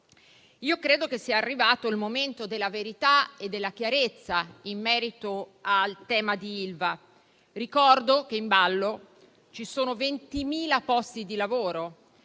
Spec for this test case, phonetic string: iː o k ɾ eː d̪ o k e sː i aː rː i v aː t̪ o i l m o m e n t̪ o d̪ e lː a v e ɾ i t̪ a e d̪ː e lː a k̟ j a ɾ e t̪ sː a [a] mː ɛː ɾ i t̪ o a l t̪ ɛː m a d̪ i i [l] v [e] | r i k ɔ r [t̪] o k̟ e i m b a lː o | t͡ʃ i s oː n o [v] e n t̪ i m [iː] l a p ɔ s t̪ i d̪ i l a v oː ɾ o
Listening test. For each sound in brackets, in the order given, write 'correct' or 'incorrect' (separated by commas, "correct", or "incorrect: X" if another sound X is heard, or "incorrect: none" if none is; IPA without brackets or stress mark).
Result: incorrect: i, correct, incorrect: a, incorrect: d̪, correct, correct